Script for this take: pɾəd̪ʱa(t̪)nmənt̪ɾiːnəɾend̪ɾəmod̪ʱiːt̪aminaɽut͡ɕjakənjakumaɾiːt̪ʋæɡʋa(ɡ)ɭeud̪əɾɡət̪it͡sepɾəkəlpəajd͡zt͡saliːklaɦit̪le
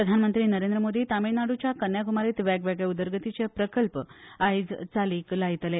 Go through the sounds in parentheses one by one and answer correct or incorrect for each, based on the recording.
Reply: incorrect, correct

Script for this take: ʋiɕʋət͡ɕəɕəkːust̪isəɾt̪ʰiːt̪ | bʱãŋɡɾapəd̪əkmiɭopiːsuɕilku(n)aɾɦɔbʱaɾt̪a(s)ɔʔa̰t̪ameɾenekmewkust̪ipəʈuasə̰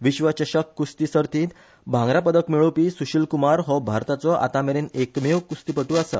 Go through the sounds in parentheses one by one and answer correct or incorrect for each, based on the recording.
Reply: incorrect, incorrect

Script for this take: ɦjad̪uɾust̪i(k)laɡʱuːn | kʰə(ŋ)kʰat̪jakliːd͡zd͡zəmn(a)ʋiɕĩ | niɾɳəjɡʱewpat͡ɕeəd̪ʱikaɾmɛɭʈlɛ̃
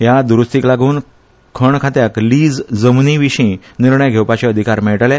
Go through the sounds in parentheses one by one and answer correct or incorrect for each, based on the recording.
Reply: correct, incorrect, incorrect

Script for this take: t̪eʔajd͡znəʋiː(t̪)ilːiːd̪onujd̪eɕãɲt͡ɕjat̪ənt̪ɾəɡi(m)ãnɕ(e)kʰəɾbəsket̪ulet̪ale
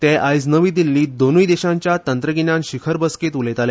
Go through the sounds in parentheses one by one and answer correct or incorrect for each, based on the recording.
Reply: incorrect, incorrect, incorrect

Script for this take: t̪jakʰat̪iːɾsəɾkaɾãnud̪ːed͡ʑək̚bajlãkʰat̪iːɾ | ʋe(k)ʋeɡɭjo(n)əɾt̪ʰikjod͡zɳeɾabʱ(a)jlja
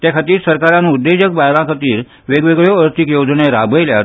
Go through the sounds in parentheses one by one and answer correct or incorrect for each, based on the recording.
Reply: incorrect, incorrect, incorrect

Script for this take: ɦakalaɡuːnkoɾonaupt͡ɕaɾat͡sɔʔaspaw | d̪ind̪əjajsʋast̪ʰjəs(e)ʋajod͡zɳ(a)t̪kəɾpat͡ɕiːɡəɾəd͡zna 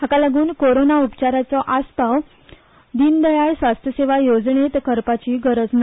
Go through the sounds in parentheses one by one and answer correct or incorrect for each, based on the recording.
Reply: correct, incorrect

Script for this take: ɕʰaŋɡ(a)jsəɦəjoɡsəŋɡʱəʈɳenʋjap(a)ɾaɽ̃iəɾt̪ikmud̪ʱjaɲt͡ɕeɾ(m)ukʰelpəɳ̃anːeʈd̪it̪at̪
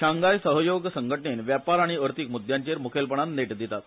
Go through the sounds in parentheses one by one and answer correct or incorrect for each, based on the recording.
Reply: correct, correct, correct

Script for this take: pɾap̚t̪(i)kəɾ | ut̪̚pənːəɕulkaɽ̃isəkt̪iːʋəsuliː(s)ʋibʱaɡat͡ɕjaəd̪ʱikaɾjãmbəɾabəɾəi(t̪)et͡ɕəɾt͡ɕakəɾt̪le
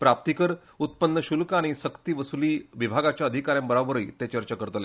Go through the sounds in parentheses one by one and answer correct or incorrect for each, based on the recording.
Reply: correct, incorrect, correct

